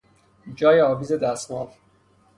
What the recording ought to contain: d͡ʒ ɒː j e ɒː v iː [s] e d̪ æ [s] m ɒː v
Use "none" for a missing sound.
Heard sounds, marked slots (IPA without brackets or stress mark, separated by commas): z, s